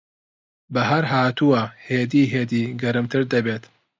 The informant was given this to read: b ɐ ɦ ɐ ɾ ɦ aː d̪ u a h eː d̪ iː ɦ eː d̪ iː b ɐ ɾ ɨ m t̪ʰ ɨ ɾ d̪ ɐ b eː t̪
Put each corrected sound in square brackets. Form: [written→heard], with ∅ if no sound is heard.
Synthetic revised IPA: b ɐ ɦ ɐ ɾ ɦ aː [d̪→t̪] u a h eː d̪ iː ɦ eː d̪ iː [b→ɡ] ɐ ɾ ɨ m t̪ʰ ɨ ɾ d̪ ɐ b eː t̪